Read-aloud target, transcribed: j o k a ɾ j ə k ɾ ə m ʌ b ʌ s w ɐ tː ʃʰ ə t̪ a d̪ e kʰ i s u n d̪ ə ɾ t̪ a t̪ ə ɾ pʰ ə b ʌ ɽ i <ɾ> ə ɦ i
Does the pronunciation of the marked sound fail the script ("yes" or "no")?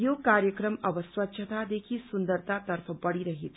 no